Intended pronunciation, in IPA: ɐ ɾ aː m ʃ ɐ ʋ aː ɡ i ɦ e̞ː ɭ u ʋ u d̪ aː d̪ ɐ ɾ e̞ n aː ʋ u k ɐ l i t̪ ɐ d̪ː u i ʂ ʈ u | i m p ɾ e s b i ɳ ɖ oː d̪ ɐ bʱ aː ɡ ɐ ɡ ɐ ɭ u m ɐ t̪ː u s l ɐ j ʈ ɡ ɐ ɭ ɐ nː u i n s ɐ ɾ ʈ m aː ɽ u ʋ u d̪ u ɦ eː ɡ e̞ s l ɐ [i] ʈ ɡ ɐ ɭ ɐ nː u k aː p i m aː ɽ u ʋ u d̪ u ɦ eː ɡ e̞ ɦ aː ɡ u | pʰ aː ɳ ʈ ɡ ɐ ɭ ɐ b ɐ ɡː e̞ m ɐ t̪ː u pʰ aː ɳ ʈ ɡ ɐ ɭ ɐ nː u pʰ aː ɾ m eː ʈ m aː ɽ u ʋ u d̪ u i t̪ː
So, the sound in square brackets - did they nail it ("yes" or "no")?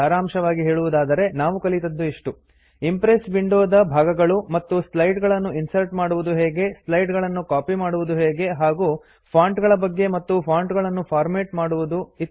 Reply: no